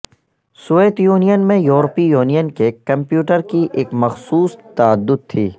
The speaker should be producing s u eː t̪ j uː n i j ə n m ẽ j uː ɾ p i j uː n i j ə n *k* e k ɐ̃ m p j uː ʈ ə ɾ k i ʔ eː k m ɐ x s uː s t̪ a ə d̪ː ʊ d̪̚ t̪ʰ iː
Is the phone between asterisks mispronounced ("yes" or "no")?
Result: no